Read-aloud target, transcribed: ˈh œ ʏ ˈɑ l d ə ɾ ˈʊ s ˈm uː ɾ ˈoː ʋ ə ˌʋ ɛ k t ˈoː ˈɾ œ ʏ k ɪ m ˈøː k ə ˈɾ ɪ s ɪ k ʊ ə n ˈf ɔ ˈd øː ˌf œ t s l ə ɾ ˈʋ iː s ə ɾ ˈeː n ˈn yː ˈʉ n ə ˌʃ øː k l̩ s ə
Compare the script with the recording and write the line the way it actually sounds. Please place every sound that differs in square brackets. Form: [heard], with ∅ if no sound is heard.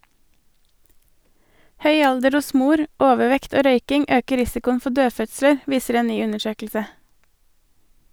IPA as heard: ˈh œ ʏ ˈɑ l d ə ɾ ˈʊ s ˈm uː ɾ ˈoː ʋ ə ˌʋ ɛ k t ˈoː ˈɾ œ ʏ k ɪ [ŋ] ˈøː k ə ˈɾ ɪ s ɪ k ʊ ə n ˈf ɔ ˈd øː ˌf œ t s l ə ɾ ˈʋ iː s ə ɾ ˈeː n ˈn yː ˈʉ n ə ˌʃ øː k l̩ s ə